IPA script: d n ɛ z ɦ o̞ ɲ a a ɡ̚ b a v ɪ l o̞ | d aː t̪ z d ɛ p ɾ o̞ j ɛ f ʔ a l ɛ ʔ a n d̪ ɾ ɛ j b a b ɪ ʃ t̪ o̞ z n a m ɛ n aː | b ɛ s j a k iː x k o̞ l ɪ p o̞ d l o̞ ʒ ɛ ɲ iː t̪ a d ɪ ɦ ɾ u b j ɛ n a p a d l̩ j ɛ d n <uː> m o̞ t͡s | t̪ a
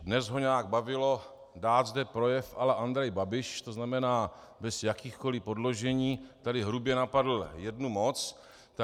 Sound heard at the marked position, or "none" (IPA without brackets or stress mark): u